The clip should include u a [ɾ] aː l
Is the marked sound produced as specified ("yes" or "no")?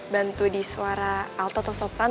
yes